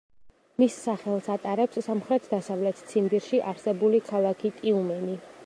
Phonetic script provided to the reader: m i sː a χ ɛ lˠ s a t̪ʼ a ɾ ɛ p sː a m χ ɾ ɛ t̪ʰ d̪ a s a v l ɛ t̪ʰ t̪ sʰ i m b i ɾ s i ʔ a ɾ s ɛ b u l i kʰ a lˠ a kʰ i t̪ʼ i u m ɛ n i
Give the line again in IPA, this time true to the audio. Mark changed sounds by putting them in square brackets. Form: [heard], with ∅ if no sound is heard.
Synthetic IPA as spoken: m i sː a χ ɛ lˠ s a t̪ʼ a ɾ ɛ p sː a m χ ɾ ɛ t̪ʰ d̪ a s a v l ɛ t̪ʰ t̪ sʰ i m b i ɾ [ʃ] i ʔ a ɾ s ɛ b u l i kʰ a lˠ a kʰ i t̪ʼ i u m ɛ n i